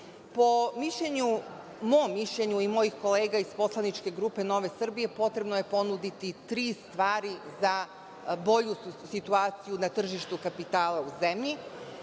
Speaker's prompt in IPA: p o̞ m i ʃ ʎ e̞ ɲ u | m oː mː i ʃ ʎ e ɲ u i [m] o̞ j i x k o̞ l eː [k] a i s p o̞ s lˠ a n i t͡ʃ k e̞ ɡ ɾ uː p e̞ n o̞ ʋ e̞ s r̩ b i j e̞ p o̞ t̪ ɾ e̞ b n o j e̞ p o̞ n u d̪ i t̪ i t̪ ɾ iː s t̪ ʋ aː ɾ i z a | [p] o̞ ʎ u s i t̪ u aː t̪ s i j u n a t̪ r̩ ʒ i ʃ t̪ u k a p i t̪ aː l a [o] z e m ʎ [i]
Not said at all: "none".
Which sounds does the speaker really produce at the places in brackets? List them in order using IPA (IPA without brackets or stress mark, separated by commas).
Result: m, ɡ, b, u, i